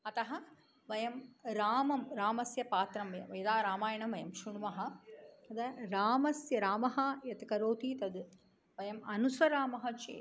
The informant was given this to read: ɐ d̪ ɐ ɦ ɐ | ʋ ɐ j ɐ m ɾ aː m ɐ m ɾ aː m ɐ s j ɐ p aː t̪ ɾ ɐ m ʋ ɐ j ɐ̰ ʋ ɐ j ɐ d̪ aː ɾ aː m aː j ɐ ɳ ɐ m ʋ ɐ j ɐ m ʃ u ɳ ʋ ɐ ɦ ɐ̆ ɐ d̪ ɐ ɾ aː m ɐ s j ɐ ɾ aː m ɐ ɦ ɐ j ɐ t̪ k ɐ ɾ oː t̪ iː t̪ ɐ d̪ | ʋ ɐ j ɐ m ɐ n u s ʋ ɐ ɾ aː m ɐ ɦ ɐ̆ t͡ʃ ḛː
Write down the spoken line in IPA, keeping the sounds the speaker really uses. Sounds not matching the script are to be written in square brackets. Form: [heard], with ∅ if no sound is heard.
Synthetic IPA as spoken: ɐ [t̪] ɐ ɦ ɐ | ʋ ɐ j ɐ m ɾ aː m ɐ m ɾ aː m ɐ s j ɐ p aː t̪ ɾ ɐ m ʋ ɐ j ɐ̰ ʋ ɐ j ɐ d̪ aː ɾ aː m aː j ɐ ɳ ɐ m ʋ ɐ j ɐ m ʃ u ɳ ʋ ɐ ɦ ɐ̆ ɐ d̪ ɐ ɾ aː m ɐ s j ɐ ɾ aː m ɐ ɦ ɐ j ɐ t̪ k ɐ ɾ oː t̪ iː t̪ ɐ d̪ | ʋ ɐ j ɐ m ɐ n u s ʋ ɐ ɾ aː m ɐ ɦ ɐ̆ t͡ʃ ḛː